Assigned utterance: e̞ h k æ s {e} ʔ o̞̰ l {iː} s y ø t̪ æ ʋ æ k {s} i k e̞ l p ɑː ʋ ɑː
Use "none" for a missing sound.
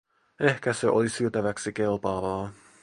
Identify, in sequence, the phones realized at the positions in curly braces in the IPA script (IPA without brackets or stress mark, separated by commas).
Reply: e, i, s